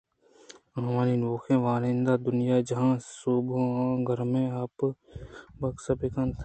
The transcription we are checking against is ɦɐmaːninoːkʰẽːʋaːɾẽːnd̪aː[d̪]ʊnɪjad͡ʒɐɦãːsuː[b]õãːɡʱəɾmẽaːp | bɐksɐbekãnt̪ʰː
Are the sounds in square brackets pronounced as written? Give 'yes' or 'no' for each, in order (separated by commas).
yes, yes